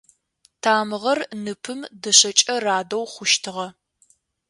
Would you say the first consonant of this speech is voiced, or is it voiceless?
voiceless